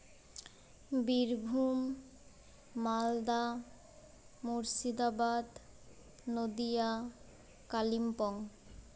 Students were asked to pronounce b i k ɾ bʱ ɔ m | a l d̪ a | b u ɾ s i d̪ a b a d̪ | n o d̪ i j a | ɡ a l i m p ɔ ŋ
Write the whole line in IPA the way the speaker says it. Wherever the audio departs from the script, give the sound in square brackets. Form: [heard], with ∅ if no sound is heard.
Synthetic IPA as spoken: b i [∅] ɾ bʱ [u] m | a l d̪ a | [m] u ɾ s i d̪ a b a d̪ | n o d̪ i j a | [k] a l i m p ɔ ŋ